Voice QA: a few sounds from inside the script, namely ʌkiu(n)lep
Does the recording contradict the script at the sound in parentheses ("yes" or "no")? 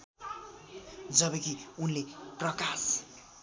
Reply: no